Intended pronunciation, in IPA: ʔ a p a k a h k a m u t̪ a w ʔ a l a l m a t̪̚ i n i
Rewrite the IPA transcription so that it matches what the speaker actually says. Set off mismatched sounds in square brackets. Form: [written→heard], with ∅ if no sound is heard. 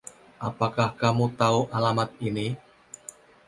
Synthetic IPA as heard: ʔ a p a k a h k a m u t̪ a [w→u] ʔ a l a [l→∅] m a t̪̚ i n i